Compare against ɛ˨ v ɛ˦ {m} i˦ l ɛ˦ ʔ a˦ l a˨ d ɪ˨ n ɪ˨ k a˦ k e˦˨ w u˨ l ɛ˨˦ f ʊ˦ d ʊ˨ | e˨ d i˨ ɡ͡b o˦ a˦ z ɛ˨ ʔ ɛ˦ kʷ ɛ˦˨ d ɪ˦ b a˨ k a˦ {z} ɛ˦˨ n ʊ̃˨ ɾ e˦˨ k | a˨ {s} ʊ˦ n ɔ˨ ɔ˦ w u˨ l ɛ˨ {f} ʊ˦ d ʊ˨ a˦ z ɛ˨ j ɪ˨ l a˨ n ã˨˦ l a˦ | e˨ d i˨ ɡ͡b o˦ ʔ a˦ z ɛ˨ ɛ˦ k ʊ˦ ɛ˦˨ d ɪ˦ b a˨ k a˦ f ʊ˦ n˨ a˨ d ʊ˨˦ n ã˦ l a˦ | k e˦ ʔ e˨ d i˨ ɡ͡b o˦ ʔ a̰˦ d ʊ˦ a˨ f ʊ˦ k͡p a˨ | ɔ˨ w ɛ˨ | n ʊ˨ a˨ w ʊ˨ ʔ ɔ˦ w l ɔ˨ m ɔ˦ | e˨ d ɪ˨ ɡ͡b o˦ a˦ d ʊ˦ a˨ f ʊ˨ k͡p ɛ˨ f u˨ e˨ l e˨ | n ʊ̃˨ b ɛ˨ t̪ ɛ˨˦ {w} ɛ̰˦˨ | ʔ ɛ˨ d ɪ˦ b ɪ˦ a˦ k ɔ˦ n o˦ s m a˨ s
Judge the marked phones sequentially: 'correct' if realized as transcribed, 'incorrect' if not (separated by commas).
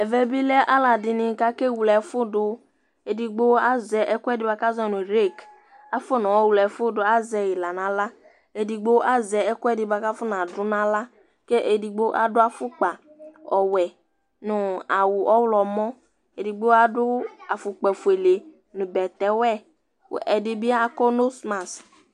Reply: incorrect, correct, incorrect, correct, correct